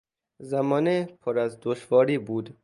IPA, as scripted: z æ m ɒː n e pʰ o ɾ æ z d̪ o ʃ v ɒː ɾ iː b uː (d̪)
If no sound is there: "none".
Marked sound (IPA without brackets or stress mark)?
d̪